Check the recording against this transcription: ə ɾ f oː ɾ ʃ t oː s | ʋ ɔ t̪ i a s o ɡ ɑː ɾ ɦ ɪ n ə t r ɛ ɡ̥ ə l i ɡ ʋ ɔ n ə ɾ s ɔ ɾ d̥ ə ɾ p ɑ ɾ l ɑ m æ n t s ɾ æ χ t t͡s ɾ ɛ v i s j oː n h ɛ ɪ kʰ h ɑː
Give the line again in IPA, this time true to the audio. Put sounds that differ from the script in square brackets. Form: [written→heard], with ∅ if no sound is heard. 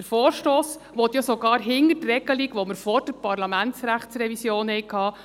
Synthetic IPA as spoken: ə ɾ f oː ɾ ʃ t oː s | ʋ ɔ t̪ [i→j] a s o ɡ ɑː ɾ ɦ ɪ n ə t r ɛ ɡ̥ ə l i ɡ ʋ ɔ [n→m] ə ɾ [s→f] ɔ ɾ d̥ ə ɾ p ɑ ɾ l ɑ m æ n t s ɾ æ χ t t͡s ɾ ɛ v i s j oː n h ɛ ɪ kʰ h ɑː